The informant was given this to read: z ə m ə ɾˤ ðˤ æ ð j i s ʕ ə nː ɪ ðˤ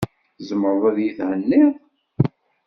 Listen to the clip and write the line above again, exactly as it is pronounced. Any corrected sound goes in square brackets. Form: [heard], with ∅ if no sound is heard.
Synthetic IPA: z ə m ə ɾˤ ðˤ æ ð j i [θ] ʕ ə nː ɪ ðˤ

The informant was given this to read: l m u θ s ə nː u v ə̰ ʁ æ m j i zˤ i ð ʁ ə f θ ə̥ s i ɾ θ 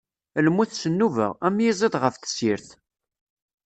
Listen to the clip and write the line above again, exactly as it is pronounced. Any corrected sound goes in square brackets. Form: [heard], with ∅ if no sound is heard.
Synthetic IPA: l m u θ s ə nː u v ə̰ ʁ æ m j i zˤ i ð ʁ ə f θ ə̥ s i ɾ θ

